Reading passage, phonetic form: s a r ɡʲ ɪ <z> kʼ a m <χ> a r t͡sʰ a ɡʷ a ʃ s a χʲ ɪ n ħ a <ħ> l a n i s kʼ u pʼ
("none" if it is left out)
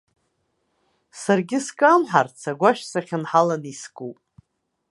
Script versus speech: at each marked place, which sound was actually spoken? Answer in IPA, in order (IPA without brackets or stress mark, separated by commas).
s, ħ, none